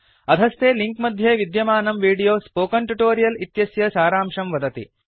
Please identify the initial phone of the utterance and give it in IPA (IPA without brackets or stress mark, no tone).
ɐ